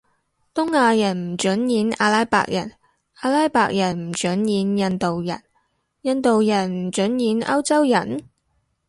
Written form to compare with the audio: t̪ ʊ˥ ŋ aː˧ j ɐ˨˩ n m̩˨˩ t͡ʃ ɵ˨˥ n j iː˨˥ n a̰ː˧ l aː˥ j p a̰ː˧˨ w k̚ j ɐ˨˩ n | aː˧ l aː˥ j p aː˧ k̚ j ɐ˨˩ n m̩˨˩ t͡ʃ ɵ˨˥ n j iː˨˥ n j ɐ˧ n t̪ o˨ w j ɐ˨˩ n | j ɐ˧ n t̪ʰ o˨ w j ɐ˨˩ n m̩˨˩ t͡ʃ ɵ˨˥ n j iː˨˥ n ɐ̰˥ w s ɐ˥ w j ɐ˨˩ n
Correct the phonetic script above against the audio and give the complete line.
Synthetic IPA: t̪ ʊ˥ ŋ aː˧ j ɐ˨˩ n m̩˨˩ t͡ʃ ɵ˨˥ n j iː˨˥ n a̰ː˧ l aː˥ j p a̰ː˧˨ k̚ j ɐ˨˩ n | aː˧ l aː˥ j p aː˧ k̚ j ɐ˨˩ n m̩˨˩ t͡ʃ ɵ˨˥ n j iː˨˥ n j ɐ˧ n t̪ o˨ w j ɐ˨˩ n | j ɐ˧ n t̪ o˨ w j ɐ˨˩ n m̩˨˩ t͡ʃ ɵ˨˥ n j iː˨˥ n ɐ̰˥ w t͡s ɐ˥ w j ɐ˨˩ n

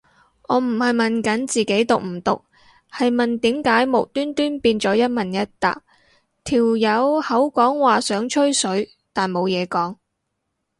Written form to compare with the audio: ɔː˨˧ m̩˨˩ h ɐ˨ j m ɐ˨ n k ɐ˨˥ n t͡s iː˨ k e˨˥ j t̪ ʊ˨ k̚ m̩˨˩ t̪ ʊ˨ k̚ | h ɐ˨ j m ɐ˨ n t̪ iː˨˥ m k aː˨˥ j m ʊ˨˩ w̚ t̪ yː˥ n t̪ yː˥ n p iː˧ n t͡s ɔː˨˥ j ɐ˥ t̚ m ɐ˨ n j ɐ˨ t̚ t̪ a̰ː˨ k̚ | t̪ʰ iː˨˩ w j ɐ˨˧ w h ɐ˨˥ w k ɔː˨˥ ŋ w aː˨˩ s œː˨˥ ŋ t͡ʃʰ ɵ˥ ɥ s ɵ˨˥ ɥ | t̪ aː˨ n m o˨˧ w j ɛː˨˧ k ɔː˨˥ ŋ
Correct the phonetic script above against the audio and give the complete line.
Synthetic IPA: ɔː˨˧ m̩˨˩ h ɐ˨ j m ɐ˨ n k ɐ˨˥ n t͡s iː˨ k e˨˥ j t̪ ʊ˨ k̚ m̩˨˩ t̪ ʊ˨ k̚ | h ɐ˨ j m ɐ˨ n t̪ iː˨˥ m k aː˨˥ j m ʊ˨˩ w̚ t̪ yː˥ n t̪ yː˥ n p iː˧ n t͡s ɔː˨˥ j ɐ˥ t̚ m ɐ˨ n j ɐ˥ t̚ t̪ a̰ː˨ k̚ | t̪ʰ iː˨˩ w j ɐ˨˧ w h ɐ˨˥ w k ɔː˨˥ ŋ w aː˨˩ s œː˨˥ ŋ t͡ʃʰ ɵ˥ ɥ s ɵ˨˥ ɥ | t̪ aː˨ n m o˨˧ w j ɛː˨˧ k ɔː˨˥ ŋ

